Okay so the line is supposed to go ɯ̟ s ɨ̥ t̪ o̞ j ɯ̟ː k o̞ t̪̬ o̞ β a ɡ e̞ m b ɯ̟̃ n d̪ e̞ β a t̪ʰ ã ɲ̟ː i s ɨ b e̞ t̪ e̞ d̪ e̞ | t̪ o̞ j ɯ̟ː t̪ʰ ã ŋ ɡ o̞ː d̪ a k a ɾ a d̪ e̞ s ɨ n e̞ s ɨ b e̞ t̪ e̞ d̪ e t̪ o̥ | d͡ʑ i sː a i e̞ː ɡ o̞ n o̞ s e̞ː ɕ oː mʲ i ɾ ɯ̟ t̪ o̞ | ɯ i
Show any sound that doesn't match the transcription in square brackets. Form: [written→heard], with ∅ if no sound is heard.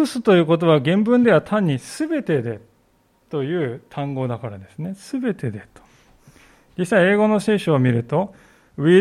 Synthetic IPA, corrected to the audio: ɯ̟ s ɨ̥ t̪ o̞ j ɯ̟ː k o̞ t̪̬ o̞ β a ɡ [e̞→ẽ̞] m b ɯ̟̃ n d̪ e̞ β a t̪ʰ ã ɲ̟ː i s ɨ b e̞ t̪ e̞ d̪ e̞ | t̪ o̞ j ɯ̟ː t̪ʰ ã ŋ ɡ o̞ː d̪ a k a ɾ a d̪ e̞ s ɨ n e̞ s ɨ b e̞ t̪ e̞ d̪ e t̪ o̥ | d͡ʑ i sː a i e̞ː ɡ o̞ n o̞ s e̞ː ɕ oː mʲ i ɾ ɯ̟ t̪ o̞ | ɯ i